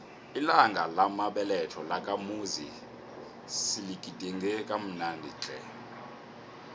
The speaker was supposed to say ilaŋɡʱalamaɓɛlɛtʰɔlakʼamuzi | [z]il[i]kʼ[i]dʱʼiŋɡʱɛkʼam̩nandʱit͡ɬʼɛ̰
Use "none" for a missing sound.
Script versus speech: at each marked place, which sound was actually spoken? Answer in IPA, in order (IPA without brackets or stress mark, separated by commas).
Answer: s, i, i